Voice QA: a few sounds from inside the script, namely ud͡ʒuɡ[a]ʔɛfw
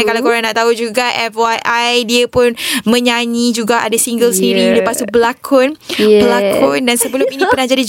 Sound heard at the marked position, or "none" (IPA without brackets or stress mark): a